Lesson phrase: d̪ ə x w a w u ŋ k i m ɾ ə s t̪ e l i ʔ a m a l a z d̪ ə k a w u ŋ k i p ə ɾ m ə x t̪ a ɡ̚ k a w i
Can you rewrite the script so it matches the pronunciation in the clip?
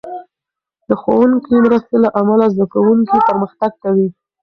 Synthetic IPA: d̪ ə x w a w u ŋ k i m ɾ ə s t̪ e l a ʔ a m a l a z d̪ a k a w u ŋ k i p ə ɾ m ə x t̪ a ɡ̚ k a w i